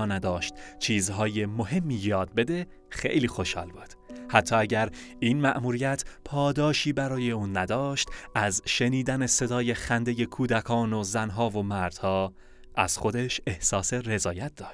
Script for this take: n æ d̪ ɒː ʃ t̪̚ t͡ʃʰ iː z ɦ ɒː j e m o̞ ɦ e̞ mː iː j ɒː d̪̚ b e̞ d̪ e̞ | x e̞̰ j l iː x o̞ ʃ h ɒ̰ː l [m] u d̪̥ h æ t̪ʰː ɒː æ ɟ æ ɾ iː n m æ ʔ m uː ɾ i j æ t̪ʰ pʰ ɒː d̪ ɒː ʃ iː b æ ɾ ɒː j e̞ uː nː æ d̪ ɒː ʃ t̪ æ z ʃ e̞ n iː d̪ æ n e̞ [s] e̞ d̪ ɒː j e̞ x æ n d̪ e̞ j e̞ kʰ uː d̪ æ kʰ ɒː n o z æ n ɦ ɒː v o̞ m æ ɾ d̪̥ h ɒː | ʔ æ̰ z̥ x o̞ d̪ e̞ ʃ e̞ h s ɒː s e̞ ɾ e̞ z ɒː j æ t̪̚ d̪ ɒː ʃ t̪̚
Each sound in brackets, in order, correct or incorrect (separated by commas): incorrect, correct